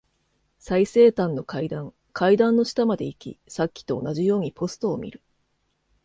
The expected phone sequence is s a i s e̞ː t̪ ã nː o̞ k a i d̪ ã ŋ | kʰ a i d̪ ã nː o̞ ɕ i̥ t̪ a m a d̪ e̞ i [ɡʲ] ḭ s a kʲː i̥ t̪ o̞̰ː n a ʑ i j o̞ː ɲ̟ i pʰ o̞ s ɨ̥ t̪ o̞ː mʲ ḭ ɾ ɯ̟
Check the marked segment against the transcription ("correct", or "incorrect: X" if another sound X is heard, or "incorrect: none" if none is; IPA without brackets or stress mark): incorrect: kʲ